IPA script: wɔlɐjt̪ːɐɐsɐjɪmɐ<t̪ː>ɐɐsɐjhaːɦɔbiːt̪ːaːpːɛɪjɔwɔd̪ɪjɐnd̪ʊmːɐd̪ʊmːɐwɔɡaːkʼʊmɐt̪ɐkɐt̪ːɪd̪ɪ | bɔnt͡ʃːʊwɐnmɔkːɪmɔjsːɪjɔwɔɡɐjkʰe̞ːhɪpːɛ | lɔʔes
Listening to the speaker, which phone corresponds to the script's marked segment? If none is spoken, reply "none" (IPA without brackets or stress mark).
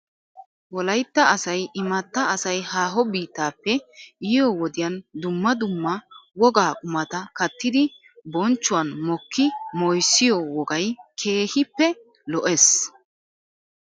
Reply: t̪ː